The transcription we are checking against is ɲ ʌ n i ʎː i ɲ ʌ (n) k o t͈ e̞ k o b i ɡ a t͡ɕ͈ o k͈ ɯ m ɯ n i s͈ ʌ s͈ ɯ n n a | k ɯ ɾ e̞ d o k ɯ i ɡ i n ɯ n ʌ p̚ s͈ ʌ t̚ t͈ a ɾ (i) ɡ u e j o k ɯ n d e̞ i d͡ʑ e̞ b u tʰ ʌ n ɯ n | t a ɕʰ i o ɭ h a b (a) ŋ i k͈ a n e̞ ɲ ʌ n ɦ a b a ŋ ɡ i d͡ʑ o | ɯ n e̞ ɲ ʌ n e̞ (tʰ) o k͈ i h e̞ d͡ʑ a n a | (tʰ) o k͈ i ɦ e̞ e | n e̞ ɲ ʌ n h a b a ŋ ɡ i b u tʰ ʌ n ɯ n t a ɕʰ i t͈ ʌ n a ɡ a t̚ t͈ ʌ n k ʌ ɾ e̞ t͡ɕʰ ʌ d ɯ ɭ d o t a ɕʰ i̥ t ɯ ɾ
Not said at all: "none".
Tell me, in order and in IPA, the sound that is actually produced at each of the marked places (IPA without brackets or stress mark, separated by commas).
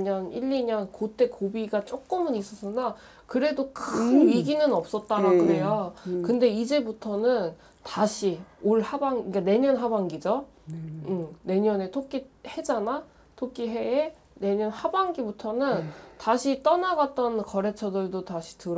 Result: n, a, a, tʰ, tʰ